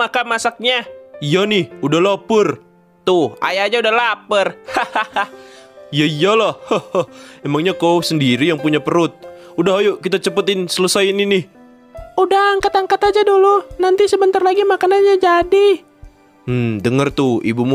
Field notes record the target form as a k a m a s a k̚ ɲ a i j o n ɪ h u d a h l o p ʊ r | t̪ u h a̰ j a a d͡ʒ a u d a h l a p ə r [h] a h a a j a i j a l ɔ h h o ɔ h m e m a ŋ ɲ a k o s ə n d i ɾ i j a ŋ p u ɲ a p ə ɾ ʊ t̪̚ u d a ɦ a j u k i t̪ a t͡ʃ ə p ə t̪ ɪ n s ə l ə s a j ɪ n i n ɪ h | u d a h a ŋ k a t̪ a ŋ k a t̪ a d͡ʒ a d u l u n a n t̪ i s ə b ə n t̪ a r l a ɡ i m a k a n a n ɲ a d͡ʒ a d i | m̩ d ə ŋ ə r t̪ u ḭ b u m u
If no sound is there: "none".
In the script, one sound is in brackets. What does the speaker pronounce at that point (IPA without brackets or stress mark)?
h